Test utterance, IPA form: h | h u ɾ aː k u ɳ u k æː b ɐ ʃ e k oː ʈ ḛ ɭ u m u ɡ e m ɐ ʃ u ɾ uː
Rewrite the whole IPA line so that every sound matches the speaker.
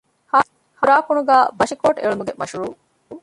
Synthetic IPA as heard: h | h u ɾ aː k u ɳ u ɡ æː b ɐ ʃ i k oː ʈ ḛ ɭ u m u ɡ e m ɐ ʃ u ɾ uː